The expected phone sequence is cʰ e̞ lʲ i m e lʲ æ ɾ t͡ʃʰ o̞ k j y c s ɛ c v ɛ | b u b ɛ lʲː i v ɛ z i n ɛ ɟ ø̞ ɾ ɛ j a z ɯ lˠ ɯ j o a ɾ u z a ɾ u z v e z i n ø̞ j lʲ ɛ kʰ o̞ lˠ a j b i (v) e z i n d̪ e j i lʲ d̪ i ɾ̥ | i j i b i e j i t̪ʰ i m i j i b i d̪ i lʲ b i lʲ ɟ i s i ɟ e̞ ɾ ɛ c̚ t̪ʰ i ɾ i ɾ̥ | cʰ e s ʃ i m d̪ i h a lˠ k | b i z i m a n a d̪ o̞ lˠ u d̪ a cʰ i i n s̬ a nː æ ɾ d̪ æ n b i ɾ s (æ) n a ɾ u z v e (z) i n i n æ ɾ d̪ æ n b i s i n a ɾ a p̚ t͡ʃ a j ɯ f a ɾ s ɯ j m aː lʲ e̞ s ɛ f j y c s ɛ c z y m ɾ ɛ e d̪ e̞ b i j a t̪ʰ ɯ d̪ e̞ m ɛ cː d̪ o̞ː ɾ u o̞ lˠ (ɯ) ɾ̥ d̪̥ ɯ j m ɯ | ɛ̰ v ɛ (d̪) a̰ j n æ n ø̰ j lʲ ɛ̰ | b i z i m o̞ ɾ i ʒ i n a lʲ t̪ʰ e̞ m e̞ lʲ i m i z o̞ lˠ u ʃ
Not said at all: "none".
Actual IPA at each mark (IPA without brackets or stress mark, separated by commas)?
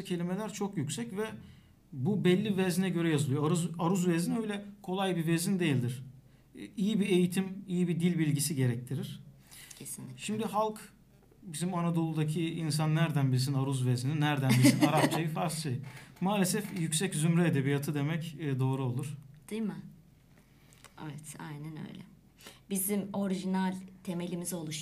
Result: v, i, z, u, t̪